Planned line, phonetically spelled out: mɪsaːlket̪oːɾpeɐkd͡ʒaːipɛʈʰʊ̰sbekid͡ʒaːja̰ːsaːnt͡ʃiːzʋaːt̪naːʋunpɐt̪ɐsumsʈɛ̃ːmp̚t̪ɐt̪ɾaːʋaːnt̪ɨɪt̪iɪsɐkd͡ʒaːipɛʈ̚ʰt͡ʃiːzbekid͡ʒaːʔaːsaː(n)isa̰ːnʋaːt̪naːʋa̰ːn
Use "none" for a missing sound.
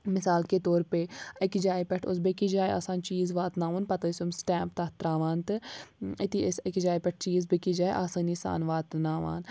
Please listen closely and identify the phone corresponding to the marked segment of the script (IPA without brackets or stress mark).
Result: n